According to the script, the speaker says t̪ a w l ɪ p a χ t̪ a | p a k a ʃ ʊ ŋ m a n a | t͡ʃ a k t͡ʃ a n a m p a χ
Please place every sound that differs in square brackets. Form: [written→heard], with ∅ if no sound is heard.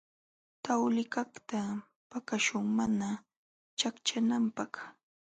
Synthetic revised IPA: t̪ a w l ɪ [p→k] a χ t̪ a | p a k a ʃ ʊ ŋ m a n a | t͡ʃ a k t͡ʃ a n a m p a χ